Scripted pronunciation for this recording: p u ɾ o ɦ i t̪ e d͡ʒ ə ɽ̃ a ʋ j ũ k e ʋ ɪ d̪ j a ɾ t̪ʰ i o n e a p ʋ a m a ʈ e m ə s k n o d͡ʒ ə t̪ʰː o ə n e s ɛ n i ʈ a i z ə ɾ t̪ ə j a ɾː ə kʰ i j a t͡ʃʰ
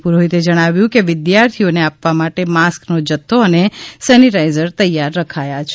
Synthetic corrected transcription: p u ɾ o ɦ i t̪ e d͡ʒ ə ɽ̃ a ʋ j ũ k e ʋ ɪ d̪ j a ɾ t̪ʰ i o n e a p ʋ a m a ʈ e m a s k n o d͡ʒ ə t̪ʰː o ə n e s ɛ n i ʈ a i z ə ɾ t̪ ə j a ɾː ə kʰ a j a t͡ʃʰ